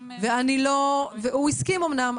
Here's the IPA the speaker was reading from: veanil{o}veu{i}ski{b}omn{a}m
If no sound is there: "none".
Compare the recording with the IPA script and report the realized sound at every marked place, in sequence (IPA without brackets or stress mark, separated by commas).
o, i, m, a